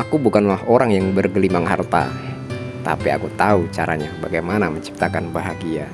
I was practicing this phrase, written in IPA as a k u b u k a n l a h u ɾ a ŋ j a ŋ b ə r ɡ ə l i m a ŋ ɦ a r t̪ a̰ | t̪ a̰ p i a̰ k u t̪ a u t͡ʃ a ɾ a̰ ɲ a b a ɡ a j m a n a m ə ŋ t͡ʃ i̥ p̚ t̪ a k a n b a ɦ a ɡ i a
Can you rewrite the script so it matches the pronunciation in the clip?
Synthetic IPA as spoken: a k u b u k a n l a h o ɾ a ŋ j a ŋ b ə r ɡ ə l i m a ŋ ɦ a r t̪ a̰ | t̪ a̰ p i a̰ k u t̪ a u t͡ʃ a ɾ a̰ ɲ a b a ɡ a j m a n a m ə ɲ t͡ʃ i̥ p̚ t̪ a k a n b a ɦ a ɡ i a